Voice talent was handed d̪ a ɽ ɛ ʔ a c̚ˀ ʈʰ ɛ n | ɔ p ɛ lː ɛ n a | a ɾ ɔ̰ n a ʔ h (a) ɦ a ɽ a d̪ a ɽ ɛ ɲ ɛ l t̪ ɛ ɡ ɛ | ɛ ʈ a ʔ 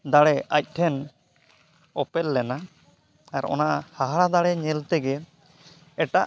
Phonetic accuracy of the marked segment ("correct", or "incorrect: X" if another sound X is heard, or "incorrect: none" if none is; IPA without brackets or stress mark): correct